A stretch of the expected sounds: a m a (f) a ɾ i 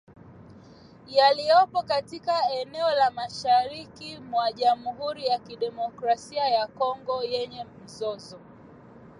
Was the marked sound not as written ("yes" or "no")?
yes